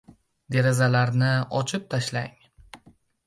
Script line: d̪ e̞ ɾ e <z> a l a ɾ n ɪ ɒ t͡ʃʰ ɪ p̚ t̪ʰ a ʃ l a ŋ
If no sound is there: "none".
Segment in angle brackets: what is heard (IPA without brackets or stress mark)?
z